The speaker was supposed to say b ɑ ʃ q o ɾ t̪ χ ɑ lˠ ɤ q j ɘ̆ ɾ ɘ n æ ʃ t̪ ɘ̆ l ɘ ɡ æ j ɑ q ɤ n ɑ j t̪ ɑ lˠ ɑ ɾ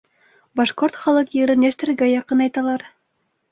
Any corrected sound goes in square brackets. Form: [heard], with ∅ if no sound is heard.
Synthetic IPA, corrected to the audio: b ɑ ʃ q o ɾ t̪ χ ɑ lˠ ɤ q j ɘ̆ ɾ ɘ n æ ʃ t̪ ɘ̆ [ɾ] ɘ ɡ æ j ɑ q ɤ n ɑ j t̪ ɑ lˠ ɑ ɾ